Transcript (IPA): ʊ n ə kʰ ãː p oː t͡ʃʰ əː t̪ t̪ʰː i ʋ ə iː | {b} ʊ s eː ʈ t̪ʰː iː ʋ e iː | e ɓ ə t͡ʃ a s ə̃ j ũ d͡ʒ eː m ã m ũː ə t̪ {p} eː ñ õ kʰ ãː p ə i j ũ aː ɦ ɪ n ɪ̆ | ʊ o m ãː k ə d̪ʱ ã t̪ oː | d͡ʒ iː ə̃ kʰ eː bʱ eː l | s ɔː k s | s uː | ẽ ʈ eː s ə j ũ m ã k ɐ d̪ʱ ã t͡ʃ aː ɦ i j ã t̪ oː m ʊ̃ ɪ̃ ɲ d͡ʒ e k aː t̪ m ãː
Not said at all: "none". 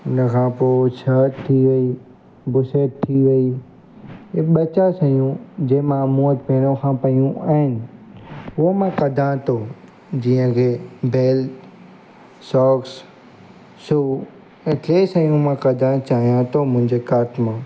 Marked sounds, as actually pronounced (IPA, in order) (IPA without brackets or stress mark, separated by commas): b, p